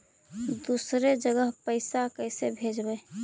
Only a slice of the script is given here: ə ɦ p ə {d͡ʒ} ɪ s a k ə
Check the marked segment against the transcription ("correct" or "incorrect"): incorrect